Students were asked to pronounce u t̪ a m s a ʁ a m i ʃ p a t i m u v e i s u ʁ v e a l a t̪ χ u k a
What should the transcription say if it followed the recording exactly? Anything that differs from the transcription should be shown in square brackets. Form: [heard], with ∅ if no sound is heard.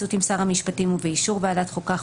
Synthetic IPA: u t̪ [i] m s a ʁ a m i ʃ p a t i m u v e i [ʃ] u ʁ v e a l a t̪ χ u k a